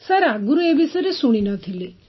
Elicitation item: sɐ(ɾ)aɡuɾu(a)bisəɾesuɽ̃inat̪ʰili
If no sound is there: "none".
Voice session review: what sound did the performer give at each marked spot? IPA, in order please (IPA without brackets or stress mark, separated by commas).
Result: ɾ, e